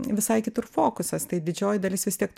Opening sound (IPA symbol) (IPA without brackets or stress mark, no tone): ʋʲ